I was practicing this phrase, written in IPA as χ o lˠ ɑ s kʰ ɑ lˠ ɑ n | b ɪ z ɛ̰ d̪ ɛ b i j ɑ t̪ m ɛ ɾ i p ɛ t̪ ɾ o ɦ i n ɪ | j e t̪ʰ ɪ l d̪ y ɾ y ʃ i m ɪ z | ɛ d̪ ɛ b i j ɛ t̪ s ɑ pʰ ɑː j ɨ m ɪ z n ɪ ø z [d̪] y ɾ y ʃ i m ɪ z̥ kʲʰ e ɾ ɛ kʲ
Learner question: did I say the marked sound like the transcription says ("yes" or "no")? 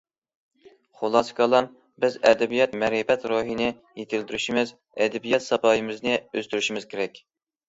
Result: no